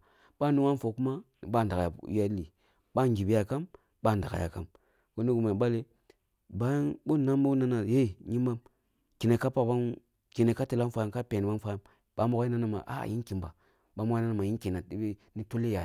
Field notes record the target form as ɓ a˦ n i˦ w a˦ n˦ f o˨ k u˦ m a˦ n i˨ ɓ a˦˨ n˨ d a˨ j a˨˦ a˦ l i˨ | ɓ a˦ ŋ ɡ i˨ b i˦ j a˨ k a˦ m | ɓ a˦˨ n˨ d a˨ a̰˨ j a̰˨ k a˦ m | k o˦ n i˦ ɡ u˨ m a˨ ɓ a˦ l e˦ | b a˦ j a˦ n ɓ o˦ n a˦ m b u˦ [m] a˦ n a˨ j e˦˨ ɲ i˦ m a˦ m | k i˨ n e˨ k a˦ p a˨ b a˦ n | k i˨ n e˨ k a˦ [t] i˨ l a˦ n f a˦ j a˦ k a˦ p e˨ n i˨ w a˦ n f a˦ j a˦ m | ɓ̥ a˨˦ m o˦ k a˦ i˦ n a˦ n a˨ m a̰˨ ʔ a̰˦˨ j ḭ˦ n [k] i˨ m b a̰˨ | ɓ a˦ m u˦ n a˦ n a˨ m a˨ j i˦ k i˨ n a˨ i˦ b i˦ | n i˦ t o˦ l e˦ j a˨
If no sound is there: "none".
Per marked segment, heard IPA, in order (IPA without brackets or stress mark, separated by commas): n, t, k